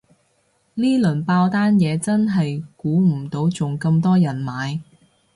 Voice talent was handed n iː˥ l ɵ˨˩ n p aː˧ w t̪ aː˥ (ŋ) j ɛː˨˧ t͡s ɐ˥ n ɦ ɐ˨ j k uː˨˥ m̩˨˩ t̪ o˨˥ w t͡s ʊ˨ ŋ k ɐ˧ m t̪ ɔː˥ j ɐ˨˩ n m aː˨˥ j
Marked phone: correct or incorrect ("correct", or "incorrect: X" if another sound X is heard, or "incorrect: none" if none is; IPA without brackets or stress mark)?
incorrect: n